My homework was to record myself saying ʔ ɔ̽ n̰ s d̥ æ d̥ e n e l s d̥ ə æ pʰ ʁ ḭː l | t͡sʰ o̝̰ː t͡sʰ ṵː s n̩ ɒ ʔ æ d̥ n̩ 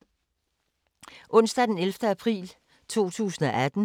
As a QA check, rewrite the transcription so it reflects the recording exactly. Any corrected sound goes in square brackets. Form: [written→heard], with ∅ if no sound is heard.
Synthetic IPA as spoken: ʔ ɔ̽ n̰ s d̥ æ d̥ e n e l [s→f] d̥ ə æ pʰ ʁ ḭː l | t͡sʰ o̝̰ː t͡sʰ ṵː s n̩ ɒ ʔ æ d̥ n̩